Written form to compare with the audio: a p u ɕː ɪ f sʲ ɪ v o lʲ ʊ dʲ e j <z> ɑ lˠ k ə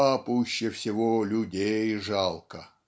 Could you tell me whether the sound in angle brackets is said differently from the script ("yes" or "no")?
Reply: yes